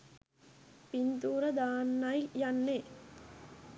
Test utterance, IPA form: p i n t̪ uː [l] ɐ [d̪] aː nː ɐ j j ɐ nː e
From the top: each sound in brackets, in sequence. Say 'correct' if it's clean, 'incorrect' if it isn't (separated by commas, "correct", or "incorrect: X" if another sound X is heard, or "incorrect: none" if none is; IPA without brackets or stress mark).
incorrect: ɾ, correct